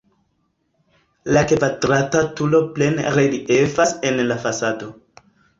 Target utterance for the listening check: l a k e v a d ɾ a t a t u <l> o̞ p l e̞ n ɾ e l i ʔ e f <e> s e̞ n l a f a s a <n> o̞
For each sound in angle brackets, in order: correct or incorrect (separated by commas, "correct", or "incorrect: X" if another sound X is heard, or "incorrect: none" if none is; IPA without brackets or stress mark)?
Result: correct, incorrect: a, incorrect: d